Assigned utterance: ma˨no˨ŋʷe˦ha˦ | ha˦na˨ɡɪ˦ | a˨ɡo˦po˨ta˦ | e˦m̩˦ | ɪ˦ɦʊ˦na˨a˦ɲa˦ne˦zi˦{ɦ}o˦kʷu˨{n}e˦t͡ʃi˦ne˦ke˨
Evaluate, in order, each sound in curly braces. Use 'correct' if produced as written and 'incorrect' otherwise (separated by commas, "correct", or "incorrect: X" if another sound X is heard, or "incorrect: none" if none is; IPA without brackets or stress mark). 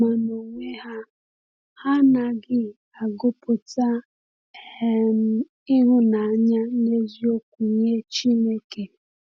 incorrect: none, incorrect: ɲ